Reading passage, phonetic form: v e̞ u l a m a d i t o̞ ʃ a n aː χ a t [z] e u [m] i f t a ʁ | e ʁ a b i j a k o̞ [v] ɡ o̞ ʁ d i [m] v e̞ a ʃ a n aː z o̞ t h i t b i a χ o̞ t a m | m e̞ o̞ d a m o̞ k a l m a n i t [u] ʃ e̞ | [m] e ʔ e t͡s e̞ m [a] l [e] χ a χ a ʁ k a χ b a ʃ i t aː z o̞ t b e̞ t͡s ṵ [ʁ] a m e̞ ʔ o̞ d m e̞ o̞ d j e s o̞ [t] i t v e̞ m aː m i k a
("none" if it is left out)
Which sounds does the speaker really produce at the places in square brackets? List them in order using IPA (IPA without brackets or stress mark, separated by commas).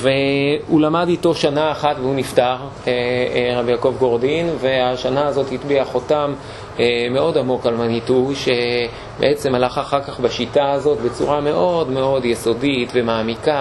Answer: v, n, v, n, u, b, a, a, ʁ, d